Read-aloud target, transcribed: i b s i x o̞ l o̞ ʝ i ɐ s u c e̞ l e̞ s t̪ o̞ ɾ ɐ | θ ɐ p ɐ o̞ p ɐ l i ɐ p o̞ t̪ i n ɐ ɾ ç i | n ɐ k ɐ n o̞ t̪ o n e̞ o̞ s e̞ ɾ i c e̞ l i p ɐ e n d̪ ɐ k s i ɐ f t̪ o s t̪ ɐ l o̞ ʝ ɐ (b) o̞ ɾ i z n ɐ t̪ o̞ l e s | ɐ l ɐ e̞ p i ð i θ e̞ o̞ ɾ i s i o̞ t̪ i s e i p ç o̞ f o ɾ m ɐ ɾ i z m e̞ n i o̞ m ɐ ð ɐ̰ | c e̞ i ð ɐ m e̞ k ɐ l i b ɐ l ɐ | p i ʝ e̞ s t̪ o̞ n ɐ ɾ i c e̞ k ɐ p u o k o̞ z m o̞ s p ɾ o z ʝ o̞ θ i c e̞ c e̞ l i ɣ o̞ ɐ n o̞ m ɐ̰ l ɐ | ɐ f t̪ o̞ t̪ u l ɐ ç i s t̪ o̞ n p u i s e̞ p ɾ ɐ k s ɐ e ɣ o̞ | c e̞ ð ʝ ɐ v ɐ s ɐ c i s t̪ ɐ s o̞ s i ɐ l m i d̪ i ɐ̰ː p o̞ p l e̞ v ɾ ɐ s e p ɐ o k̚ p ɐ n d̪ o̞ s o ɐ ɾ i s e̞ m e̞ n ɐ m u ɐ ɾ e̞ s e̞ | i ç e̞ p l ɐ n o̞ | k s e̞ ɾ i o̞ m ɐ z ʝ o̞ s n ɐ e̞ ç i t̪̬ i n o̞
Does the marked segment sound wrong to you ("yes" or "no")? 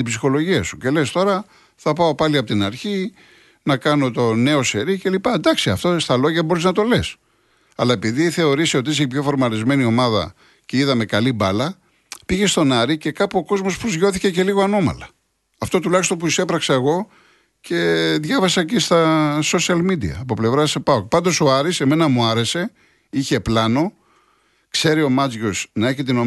no